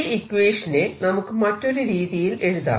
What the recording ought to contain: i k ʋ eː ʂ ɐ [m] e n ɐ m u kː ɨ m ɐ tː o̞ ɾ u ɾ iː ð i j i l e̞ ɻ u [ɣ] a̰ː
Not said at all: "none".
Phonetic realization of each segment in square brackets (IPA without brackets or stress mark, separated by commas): n, ð